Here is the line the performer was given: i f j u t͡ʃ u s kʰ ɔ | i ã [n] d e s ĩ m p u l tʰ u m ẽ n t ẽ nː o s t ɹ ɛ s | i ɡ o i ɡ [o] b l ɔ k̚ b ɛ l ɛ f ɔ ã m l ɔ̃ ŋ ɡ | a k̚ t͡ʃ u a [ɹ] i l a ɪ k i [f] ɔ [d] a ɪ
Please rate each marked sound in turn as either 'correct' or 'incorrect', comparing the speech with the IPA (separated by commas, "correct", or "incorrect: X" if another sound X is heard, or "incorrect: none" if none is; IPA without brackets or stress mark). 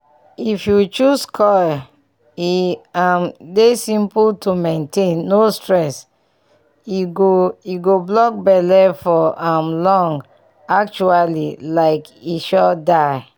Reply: incorrect: m, correct, incorrect: l, incorrect: ʃ, correct